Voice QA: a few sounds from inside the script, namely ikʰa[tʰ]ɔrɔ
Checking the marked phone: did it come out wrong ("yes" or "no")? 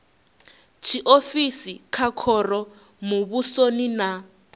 yes